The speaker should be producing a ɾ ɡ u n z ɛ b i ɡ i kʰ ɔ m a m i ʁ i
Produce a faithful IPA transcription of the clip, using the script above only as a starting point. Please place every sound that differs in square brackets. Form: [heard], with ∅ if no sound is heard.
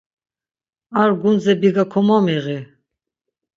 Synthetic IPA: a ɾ ɡ u n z ɛ b i ɡ [a] kʰ ɔ m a m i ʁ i